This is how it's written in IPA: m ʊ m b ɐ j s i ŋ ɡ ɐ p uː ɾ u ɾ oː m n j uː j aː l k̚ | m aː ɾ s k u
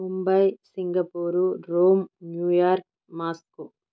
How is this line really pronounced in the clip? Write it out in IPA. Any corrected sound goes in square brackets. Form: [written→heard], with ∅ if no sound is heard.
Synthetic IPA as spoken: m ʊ m b ɐ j s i ŋ ɡ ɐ p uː ɾ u ɾ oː m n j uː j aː [l→ɾ] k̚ | m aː [ɾ→∅] s k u